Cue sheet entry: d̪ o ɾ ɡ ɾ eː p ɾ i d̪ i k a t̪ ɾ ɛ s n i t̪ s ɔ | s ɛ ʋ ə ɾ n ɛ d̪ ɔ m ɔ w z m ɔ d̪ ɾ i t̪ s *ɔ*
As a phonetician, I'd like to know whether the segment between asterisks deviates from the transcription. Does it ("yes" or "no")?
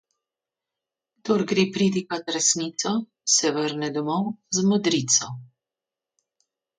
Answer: no